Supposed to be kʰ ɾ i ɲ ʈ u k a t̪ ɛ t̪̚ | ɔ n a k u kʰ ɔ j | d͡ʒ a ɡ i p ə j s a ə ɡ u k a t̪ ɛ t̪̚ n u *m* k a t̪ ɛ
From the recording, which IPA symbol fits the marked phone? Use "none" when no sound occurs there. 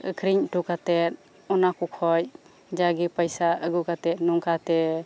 ŋ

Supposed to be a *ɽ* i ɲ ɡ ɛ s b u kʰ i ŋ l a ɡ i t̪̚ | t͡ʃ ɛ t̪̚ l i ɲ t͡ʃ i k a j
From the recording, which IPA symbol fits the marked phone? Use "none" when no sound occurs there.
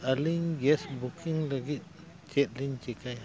l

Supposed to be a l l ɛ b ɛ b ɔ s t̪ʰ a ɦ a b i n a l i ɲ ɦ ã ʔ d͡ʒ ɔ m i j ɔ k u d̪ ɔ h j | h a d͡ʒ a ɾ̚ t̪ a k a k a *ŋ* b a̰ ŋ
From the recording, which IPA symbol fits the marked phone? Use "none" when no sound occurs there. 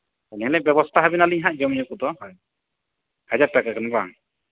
n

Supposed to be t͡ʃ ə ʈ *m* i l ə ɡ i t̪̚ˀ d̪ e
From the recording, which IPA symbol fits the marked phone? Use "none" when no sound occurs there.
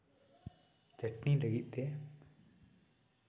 n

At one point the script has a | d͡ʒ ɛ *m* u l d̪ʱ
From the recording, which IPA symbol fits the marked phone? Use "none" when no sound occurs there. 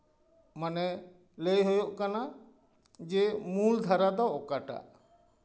m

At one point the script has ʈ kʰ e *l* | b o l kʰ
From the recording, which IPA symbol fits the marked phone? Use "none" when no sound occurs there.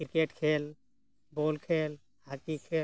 l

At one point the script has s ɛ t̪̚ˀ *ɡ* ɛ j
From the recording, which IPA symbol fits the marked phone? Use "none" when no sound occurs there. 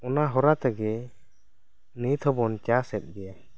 ɡ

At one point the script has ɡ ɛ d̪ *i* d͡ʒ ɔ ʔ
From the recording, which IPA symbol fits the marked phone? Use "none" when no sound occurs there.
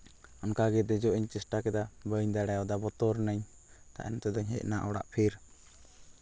ɛ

